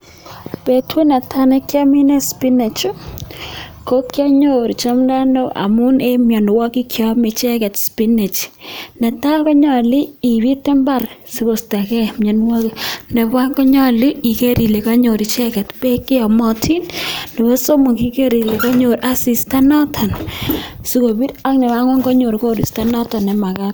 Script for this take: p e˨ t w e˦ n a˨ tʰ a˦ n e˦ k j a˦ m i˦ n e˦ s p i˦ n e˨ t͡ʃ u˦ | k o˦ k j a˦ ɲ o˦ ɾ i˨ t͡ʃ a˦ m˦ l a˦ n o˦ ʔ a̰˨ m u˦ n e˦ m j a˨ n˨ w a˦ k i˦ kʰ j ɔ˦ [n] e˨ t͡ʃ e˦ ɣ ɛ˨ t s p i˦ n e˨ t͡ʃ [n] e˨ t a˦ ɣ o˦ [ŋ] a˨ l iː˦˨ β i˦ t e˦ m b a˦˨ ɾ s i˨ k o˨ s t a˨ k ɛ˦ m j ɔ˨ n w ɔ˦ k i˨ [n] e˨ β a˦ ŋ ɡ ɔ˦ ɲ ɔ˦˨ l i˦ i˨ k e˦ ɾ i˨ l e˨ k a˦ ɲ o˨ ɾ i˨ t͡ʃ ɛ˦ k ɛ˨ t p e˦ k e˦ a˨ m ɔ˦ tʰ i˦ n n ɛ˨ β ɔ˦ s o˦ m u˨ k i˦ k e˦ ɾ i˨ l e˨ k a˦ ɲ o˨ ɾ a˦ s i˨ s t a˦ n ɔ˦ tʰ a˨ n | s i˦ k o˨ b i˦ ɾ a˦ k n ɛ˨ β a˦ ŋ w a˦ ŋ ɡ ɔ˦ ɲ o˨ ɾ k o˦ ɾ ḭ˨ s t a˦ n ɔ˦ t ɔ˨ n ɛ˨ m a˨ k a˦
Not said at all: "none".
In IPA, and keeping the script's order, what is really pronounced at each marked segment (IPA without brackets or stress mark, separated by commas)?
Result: m, n, ɲ, n